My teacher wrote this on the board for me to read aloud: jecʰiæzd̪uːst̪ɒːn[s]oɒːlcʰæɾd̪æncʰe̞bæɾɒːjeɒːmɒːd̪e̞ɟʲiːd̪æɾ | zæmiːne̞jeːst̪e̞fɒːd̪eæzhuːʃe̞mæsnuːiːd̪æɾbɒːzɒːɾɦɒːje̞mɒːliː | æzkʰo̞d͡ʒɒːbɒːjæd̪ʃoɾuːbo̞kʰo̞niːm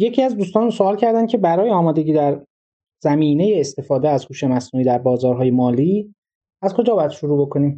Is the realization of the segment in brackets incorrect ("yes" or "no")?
no